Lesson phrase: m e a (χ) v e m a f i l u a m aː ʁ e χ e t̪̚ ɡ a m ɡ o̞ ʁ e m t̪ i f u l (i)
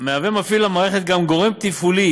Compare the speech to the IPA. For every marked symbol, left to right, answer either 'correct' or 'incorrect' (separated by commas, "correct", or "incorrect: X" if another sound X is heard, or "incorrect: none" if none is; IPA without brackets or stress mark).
incorrect: none, correct